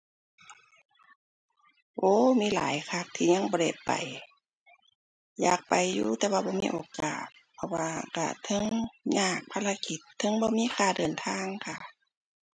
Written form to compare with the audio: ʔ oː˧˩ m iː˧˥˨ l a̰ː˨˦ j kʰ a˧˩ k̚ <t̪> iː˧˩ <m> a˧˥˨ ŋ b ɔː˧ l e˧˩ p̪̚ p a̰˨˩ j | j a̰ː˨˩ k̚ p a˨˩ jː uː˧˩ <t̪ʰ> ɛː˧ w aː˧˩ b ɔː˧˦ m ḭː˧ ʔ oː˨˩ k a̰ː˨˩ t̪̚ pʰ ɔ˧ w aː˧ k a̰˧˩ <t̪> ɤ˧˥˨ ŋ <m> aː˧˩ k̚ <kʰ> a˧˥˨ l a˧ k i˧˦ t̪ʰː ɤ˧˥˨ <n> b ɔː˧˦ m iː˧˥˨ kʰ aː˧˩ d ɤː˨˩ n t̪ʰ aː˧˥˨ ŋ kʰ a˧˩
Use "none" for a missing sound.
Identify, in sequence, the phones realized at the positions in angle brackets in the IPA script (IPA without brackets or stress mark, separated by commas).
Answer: t̪ʰ, ɲ, t̪, t̪ʰ, ɲ, pʰ, ŋ